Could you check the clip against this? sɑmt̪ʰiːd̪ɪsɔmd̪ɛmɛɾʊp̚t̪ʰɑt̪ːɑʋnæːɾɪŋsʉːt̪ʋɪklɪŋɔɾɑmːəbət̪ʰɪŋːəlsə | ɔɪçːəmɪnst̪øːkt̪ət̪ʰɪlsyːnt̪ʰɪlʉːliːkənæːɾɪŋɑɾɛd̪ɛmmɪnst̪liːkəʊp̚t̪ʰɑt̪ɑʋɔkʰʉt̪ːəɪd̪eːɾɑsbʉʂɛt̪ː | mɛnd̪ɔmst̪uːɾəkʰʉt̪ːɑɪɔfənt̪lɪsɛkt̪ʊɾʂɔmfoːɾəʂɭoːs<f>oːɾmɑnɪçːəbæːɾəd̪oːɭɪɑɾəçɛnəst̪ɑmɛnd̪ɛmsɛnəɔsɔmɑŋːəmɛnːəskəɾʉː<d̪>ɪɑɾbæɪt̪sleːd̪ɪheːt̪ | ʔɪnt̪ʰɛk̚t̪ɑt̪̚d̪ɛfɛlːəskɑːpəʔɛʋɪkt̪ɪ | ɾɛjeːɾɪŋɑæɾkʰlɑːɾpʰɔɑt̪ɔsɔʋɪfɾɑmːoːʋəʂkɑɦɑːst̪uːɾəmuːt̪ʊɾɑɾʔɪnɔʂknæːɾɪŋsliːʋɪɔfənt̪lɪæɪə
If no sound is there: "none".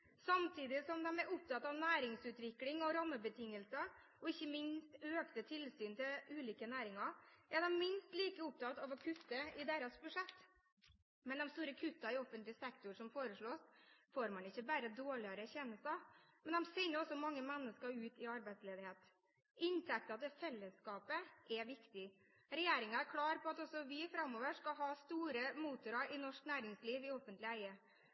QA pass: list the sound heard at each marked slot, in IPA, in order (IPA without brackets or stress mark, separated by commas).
f, t̪